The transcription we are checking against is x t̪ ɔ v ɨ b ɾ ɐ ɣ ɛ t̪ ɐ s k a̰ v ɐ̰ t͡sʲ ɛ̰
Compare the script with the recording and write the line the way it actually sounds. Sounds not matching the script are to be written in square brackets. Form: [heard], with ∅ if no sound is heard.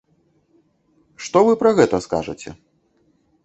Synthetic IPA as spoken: [ʂ] t̪ ɔ v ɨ [p] ɾ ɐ ɣ ɛ t̪ ɐ s k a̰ [ʐ] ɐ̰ t͡sʲ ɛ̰